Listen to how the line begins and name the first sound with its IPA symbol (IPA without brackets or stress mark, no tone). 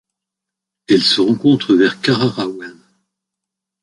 ɛ